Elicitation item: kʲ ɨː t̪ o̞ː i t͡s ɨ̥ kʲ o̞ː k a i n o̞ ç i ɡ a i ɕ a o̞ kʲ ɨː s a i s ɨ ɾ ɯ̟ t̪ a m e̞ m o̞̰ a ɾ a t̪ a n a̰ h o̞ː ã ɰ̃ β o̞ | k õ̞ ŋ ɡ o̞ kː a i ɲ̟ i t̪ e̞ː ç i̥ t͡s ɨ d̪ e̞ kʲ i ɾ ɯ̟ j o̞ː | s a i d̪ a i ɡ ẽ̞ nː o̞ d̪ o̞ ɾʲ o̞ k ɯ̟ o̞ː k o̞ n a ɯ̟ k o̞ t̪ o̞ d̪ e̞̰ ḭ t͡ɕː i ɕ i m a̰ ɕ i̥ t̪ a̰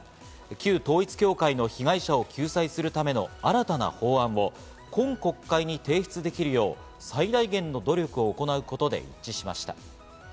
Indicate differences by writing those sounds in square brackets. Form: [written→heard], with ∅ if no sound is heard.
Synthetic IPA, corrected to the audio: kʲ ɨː t̪ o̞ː i t͡s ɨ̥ kʲ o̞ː k a i n o̞ ç i ɡ a i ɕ a o̞ kʲ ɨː s a i s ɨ ɾ ɯ̟ t̪ a m e̞ [m→n] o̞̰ a ɾ a t̪ a n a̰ h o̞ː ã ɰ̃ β o̞ | k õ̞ ŋ [ɡ→k] o̞ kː a i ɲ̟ i t̪ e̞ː ç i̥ t͡s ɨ d̪ e̞ kʲ i ɾ ɯ̟ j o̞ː | s a i d̪ a i ɡ ẽ̞ nː o̞ d̪ o̞ ɾʲ o̞ k ɯ̟ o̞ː k o̞ n a ɯ̟ k o̞ t̪ o̞ d̪ e̞̰ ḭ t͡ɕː i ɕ i m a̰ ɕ i̥ t̪ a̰